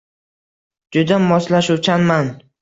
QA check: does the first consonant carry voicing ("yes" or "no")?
yes